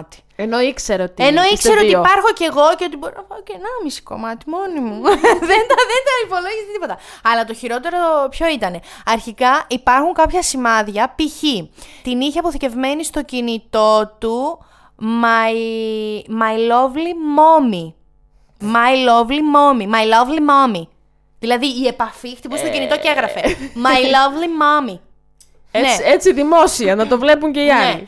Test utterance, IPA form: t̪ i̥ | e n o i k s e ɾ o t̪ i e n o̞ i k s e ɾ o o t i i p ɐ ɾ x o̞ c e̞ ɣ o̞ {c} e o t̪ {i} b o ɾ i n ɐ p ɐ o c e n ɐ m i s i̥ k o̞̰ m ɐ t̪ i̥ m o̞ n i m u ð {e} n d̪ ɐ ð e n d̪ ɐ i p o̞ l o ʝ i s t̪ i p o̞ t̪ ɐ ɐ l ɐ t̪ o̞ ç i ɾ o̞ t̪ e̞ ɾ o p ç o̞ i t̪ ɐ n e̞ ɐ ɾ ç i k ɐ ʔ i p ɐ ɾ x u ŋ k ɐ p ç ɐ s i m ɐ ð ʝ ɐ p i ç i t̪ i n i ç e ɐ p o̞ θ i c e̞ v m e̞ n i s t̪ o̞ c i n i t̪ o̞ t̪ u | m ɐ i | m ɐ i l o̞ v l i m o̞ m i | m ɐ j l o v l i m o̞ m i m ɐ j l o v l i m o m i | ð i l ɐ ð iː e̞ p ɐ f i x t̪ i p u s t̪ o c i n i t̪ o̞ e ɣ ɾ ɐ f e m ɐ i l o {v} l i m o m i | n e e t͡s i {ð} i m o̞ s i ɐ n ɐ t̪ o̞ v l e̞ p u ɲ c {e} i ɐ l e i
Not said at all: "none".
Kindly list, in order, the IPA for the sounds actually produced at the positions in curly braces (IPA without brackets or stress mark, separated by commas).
c, i, e, v, ð, e